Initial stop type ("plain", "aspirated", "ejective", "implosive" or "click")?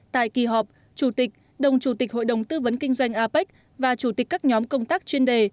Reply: plain